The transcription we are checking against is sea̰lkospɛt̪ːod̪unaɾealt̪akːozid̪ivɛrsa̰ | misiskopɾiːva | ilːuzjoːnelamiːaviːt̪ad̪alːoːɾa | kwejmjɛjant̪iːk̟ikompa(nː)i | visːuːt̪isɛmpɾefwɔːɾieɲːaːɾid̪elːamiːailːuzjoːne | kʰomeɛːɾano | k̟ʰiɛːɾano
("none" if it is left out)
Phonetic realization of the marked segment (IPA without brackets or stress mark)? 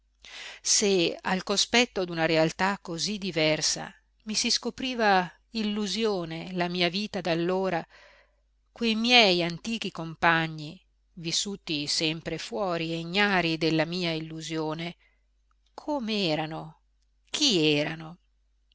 ɲː